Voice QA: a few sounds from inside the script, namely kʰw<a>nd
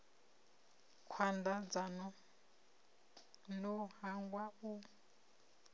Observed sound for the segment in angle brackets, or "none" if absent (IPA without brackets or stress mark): a